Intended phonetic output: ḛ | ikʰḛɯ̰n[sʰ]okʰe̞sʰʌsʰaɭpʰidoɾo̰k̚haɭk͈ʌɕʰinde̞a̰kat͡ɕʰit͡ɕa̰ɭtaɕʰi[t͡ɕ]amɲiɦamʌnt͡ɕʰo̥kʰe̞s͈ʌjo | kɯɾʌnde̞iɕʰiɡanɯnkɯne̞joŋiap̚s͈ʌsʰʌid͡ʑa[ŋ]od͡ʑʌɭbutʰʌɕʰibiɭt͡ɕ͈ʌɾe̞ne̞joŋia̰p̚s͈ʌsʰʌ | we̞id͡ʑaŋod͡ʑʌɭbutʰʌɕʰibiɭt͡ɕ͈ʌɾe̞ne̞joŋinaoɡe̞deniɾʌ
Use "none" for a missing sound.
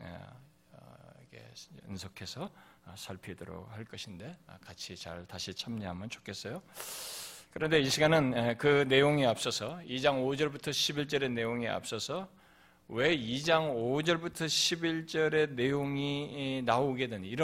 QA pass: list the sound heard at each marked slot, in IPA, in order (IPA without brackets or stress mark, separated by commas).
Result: sʰ, t͡ɕʰ, ŋ